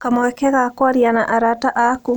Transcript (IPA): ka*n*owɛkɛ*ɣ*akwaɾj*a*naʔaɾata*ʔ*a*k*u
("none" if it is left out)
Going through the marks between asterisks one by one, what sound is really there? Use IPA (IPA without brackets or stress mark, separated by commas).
m, ɣ, a, ʔ, k